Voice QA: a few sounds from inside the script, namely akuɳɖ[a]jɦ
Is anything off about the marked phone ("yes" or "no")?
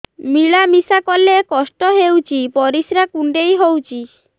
yes